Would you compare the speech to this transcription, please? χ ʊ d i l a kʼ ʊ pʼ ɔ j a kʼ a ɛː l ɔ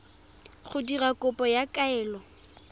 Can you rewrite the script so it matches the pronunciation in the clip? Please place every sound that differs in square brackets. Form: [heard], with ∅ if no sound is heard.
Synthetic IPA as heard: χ ʊ d i [r] a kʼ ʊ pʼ ɔ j a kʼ a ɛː l ɔ